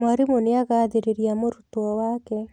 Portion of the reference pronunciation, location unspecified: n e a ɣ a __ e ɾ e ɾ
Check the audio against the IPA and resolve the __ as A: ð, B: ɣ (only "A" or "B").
A